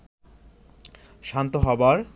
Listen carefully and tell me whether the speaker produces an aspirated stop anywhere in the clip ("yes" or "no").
no